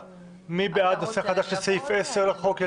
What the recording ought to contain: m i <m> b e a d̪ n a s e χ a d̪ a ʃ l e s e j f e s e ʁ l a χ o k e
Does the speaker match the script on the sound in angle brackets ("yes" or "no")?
no